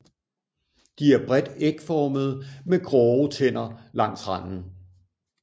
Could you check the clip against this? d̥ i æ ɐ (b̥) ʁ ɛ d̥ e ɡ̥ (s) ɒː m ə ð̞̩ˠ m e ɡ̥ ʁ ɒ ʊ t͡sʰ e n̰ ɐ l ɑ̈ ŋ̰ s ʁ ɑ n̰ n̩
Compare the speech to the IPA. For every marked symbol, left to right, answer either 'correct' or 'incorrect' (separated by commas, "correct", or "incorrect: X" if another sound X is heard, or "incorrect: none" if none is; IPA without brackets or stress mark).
correct, incorrect: f